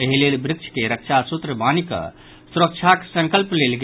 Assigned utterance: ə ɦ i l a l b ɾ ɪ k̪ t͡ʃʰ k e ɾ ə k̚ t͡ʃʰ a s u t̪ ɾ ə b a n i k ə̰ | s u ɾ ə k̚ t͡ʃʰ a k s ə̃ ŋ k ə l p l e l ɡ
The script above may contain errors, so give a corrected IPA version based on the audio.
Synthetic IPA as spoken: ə ɦ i l e l b ɾ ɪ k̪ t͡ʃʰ k e ɾ ə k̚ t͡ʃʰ a s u t̪ ɾ ə b a n i k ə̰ | s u ɾ ə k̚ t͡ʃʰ a k s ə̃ ŋ k ə l p l e l ɡ